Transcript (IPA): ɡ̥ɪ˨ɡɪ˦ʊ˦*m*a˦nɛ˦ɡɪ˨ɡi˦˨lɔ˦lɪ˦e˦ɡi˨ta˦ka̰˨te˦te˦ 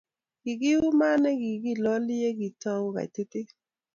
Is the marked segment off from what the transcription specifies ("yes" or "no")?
no